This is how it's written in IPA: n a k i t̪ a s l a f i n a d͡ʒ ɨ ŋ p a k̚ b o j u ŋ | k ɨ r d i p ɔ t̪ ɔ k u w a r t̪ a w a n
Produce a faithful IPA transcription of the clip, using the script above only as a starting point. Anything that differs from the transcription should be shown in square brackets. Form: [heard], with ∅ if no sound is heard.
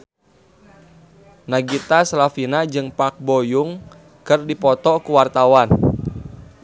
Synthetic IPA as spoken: n a [ɡ] i t̪ a s l a f i n a d͡ʒ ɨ ŋ p a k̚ b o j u ŋ | k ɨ r d i p ɔ t̪ ɔ k u w a r t̪ a w a n